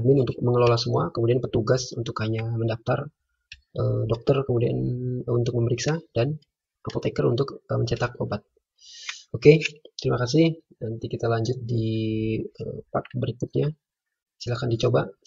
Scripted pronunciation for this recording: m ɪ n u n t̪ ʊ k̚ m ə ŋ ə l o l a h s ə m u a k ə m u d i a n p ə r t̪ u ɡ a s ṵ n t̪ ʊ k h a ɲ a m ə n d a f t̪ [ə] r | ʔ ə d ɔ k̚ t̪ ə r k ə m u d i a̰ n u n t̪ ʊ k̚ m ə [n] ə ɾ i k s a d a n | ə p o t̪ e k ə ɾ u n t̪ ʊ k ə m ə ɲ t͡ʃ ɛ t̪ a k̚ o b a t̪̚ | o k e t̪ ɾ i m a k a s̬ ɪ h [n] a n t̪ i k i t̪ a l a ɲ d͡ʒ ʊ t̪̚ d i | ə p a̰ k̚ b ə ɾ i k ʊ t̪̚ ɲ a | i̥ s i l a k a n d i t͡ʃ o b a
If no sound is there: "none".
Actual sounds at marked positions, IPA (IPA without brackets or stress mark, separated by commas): a, m, n